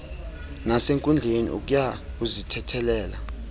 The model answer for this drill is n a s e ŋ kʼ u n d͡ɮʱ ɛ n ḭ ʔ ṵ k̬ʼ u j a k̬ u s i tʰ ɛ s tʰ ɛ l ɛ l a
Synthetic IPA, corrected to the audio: n a s e ŋ kʼ u n d͡ɮʱ e n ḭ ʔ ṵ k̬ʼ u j a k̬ u z i tʰ ɛ tʰ ɛ l ɛː l a